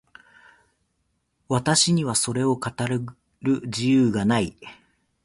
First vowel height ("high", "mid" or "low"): low